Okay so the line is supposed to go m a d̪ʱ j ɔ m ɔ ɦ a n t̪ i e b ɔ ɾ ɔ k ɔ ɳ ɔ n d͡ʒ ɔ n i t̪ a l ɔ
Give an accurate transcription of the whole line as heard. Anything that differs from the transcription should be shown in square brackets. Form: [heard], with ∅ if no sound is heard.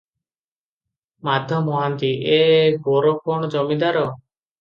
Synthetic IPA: m a d̪ʱ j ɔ m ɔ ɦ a n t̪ i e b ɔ ɾ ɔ k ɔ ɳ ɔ [∅] d͡ʒ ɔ [m] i [d̪] a [ɾ] ɔ